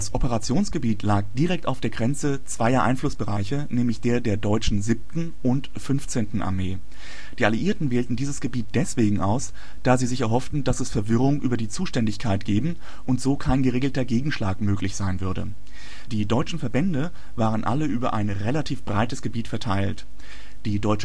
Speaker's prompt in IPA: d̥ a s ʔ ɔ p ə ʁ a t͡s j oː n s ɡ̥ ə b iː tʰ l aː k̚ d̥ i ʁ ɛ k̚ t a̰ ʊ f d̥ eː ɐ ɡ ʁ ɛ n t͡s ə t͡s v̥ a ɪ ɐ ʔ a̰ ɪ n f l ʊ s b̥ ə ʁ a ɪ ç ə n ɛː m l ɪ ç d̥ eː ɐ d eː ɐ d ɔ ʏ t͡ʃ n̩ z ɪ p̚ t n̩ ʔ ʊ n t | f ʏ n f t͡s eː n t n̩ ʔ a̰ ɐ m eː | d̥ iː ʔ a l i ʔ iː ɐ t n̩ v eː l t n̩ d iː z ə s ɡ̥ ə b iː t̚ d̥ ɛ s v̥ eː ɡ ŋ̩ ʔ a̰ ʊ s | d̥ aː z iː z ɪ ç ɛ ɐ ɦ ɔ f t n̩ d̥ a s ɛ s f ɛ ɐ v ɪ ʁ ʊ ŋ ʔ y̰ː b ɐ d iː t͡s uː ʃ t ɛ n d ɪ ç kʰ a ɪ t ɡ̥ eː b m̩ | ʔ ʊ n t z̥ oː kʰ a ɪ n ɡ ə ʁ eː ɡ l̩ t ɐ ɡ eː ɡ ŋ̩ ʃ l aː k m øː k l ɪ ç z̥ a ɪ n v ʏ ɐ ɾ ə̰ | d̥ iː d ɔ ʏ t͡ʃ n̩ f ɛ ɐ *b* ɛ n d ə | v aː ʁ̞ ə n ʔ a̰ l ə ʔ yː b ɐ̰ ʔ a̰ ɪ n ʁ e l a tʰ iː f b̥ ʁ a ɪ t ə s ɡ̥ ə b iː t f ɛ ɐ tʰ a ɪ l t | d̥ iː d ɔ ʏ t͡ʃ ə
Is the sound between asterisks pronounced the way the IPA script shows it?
yes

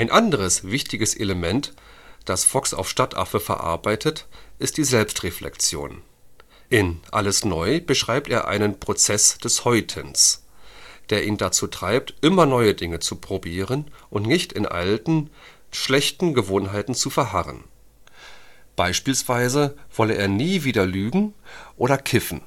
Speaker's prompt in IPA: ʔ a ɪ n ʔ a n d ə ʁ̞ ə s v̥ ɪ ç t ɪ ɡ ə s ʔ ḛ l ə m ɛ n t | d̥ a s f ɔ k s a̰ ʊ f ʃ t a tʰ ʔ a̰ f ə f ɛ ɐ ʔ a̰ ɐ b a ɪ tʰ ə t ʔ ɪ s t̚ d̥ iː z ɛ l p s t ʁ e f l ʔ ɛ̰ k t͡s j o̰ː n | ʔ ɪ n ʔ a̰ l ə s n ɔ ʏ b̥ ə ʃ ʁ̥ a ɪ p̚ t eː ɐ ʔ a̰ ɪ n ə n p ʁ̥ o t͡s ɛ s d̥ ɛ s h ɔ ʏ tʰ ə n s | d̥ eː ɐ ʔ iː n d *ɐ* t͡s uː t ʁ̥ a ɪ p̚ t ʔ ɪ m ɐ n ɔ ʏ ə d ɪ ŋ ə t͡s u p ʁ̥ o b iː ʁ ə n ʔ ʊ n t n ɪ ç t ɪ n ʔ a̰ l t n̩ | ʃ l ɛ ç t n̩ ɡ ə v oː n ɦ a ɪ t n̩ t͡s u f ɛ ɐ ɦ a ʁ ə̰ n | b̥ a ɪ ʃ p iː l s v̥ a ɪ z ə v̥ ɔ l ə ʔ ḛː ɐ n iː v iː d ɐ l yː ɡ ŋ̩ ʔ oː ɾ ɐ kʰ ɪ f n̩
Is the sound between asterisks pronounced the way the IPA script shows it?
no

